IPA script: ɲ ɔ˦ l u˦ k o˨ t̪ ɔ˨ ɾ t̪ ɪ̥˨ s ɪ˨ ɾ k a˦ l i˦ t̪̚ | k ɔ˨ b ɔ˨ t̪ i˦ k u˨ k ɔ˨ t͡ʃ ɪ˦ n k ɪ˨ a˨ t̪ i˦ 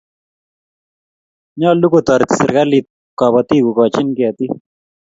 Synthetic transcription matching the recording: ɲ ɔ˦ l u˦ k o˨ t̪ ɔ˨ ɾ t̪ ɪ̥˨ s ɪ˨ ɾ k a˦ l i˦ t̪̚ | k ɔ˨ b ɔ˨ t̪ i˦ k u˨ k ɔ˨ t͡ʃ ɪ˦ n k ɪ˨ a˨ t̪ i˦